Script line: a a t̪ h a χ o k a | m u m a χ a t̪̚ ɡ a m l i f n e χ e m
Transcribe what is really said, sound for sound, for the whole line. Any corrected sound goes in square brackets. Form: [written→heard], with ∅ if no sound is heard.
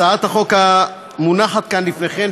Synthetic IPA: a a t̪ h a χ o k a | m u [m→n] a χ a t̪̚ [ɡ→k] a [m→n] l i f n e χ e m

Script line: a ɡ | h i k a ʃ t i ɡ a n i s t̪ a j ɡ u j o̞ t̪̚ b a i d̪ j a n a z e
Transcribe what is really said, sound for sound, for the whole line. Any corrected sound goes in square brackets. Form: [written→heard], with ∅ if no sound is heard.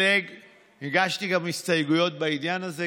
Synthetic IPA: [a→e] ɡ | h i [k→ɡ] a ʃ t i ɡ a [n→m] i s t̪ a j ɡ u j o̞ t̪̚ b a i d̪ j a n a z e

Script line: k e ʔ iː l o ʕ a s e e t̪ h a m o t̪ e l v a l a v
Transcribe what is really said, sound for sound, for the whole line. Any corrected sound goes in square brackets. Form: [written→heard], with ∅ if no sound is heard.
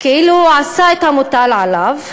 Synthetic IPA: k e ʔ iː l [o→u] ʕ a s [e→a] e t̪ h a m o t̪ [e→a] l [v→ʕ] a l a v

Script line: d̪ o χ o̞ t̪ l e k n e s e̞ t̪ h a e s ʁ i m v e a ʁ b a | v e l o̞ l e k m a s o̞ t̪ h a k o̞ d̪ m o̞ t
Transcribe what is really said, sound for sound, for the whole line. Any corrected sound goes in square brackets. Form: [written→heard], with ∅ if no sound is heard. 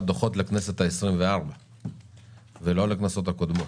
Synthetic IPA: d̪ o χ o̞ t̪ l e k n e s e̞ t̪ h a e s ʁ i m v e a ʁ b a | v e l o̞ l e k [m→n] a s o̞ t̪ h a k o̞ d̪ m o̞ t

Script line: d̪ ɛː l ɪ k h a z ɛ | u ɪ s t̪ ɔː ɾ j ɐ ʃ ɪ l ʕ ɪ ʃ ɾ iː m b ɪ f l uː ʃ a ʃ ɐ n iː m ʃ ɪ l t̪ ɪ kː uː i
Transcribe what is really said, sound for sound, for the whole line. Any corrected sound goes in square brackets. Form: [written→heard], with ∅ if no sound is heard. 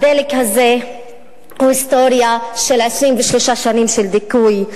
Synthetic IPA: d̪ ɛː l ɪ k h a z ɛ | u ɪ s t̪ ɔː ɾ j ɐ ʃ ɪ l ʕ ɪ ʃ ɾ iː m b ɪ [f→ʃ] l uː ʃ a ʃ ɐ n iː m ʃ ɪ l [t̪→d̪] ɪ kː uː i

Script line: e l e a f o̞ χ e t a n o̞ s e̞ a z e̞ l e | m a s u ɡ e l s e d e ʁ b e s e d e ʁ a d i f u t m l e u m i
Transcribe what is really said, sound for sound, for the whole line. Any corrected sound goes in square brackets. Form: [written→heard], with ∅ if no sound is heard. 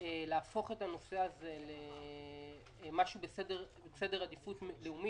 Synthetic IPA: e l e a f o̞ χ e t a n o̞ s e̞ a z e̞ l e | m a [s→ʃ] u [ɡ→b] e [l→∅] s e d e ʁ b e s e d e ʁ a d i f u t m l e u m i

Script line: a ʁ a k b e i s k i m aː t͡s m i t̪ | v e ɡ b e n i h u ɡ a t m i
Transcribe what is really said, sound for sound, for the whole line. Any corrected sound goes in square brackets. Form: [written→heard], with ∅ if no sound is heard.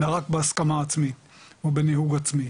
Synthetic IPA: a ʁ a k b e [i→a] s k [i→a] m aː t͡s m i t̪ | v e [ɡ→∅] b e n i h u ɡ a [t→t͡s] m i

